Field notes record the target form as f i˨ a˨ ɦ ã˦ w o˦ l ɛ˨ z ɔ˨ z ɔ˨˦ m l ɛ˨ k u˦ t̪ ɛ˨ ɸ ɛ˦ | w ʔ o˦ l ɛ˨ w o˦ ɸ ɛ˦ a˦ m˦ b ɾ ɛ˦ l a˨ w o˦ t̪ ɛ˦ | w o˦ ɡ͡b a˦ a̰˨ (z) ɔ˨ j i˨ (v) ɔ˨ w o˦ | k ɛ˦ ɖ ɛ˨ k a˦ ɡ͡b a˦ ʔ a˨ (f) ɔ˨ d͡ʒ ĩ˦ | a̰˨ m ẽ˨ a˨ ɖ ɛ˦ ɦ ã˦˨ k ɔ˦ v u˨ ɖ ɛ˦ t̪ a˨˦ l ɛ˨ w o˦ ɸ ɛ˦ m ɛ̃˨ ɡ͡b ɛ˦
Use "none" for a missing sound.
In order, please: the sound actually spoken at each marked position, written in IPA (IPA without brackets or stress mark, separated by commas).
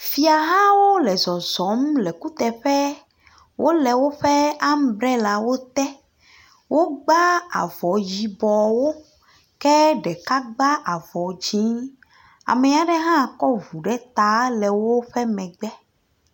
v, b, v